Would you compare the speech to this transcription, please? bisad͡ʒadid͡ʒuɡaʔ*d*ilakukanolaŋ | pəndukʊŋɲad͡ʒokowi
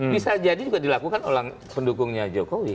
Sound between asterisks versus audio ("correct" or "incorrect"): correct